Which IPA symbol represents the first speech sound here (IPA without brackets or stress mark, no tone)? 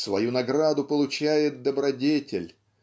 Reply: s